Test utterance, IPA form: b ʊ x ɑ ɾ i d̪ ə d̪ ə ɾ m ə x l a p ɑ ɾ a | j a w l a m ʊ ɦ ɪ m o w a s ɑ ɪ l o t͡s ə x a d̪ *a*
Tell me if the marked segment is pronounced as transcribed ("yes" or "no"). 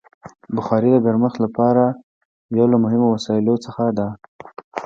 yes